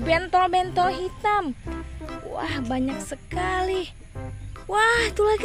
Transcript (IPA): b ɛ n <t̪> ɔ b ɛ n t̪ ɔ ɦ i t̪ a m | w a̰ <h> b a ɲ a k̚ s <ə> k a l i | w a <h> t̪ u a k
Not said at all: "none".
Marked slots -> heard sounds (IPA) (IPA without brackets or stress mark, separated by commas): t̪, h, ə, h